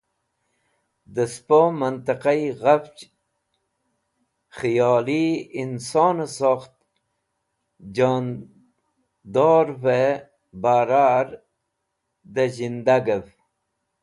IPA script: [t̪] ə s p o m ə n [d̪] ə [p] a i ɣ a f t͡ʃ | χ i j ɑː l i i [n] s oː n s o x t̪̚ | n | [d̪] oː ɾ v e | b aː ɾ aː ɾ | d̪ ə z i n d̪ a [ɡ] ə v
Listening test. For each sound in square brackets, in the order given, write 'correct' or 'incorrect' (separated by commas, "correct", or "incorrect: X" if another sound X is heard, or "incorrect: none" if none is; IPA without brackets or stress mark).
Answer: incorrect: d̪, incorrect: t̪, incorrect: q, correct, correct, correct